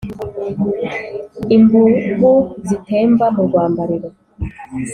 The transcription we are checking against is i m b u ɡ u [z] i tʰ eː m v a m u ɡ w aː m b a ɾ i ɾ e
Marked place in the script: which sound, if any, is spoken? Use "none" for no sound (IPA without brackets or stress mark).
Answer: z